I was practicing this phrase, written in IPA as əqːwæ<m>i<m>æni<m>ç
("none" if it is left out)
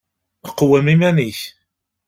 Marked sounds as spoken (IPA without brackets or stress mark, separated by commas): m, m, none